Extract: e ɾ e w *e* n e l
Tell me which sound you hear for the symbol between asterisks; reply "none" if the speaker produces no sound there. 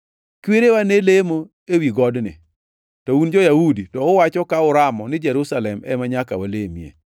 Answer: a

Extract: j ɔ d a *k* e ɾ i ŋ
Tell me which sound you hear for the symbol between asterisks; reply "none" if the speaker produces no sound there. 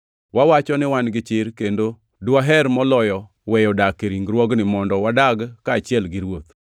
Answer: k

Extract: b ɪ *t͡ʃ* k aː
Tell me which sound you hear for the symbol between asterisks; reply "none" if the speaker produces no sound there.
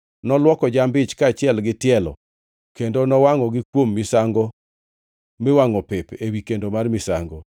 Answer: t͡ʃ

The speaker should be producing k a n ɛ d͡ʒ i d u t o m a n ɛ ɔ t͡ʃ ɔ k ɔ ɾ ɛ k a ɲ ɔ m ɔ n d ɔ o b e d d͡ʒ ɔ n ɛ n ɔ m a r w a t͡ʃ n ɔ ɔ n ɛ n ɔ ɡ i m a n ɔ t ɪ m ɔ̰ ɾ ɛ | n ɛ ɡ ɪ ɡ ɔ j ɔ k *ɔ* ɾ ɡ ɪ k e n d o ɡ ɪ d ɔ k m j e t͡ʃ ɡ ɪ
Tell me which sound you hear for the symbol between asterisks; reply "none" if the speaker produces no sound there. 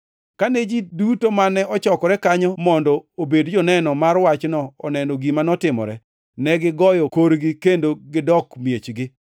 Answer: o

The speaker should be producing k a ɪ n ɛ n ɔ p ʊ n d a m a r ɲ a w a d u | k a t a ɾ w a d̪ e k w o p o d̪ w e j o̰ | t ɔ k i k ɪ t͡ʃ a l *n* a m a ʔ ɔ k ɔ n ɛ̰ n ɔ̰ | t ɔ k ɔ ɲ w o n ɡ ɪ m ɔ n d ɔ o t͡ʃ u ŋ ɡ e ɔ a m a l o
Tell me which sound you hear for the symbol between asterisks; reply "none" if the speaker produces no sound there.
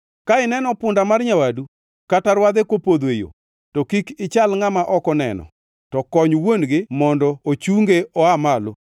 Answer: ŋ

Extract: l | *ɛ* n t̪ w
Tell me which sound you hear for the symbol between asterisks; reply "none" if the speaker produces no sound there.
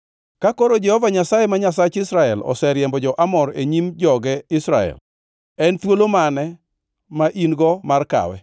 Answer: ɛ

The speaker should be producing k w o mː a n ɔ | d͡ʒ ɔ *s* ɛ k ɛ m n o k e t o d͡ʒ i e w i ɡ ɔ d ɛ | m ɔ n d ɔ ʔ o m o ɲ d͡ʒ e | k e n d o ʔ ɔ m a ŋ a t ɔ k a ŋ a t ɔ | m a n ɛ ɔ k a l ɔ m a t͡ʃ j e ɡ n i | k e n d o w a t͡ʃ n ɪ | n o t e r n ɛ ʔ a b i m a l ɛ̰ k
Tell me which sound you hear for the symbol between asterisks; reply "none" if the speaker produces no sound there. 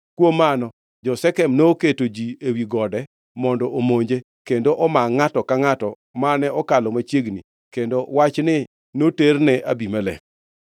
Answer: s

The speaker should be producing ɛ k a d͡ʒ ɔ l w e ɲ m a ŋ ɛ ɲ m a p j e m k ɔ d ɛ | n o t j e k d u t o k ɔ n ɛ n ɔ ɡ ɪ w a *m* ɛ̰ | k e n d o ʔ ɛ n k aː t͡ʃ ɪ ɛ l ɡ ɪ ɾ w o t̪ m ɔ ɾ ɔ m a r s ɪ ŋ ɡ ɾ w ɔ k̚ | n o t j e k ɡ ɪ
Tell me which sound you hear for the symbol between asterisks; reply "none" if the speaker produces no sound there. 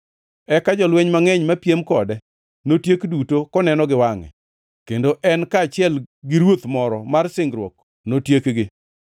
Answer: ŋ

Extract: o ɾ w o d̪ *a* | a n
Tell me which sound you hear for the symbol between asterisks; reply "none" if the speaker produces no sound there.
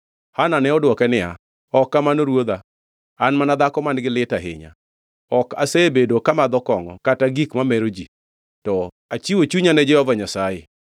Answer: a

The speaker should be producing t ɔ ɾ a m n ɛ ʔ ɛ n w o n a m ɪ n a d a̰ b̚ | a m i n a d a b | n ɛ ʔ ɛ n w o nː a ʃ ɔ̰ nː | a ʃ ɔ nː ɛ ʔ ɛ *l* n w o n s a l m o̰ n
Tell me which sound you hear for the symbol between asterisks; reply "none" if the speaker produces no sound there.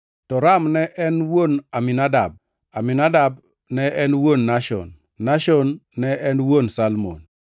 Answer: none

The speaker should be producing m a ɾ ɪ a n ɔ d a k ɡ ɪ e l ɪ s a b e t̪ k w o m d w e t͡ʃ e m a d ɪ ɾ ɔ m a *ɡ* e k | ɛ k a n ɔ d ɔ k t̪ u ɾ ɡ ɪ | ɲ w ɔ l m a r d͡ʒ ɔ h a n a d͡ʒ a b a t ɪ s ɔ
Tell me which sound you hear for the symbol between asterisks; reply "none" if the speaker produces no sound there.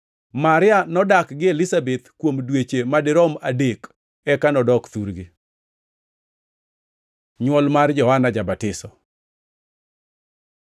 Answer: d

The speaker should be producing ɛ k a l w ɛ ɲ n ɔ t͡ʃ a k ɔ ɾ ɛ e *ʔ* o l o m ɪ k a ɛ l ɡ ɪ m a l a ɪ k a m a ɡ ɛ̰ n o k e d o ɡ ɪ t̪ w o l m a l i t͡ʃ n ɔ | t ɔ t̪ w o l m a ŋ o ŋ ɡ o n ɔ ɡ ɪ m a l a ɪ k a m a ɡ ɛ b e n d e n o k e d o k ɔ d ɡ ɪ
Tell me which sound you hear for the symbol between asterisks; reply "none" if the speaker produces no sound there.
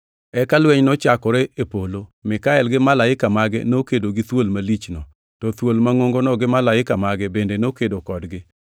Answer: p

